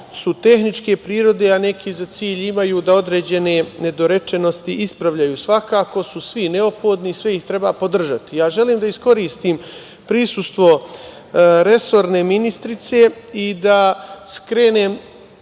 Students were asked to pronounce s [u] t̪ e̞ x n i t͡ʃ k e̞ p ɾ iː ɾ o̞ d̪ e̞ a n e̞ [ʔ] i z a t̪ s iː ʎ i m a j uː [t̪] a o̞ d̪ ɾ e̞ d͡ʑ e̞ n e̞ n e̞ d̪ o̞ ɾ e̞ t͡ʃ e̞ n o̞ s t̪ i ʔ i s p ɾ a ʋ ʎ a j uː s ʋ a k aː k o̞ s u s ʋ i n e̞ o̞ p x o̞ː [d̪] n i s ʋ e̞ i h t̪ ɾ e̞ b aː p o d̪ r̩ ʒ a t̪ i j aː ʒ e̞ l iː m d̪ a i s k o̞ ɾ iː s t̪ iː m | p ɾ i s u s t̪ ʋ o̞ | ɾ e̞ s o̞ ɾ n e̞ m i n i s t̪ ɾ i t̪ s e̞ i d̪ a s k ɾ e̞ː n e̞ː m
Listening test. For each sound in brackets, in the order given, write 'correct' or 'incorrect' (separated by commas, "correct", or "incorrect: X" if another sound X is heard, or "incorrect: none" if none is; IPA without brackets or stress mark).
correct, incorrect: k, incorrect: d̪, correct